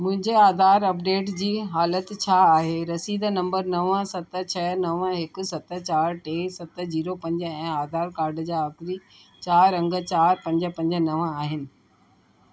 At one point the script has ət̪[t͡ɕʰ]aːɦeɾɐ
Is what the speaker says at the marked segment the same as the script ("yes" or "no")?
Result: yes